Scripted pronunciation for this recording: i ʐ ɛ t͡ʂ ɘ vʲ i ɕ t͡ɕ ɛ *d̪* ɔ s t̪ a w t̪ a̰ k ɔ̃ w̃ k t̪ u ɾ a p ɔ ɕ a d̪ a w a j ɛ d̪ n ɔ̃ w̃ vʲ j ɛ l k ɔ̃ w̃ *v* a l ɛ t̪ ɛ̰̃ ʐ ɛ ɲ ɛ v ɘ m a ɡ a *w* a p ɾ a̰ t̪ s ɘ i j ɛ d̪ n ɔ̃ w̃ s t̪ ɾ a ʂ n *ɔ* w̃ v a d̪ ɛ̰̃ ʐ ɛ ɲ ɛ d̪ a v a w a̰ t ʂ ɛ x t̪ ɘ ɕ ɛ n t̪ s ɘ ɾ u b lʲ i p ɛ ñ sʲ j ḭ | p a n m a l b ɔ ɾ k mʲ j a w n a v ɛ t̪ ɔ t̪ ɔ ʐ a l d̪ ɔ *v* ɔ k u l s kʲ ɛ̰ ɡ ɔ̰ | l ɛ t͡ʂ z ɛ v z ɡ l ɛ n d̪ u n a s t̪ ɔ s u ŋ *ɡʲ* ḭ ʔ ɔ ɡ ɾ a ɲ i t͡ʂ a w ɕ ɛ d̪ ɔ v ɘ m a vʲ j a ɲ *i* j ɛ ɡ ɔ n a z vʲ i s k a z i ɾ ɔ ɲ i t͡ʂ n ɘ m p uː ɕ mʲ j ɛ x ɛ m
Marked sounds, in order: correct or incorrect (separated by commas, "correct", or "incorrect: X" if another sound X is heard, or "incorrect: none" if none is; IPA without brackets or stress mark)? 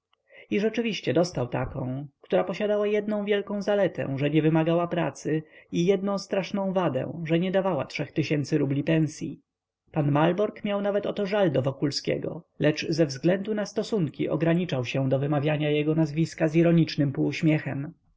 correct, incorrect: z, correct, incorrect: ɔ̃, correct, incorrect: kʲ, incorrect: a